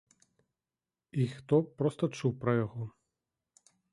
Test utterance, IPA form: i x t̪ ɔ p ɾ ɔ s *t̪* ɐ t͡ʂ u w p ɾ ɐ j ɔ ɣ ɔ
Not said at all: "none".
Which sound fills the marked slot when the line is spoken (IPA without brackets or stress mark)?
t̪